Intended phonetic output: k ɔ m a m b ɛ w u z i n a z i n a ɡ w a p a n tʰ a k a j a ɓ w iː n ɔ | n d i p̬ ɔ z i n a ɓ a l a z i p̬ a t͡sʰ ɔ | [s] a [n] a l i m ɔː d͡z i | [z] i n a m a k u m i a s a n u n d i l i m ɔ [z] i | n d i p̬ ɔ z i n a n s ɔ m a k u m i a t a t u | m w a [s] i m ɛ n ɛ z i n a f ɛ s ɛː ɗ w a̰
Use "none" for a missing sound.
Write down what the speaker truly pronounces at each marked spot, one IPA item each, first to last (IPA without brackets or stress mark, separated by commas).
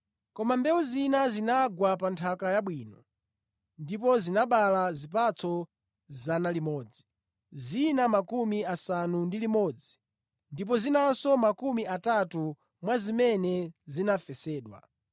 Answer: z, n, z, d͡z, z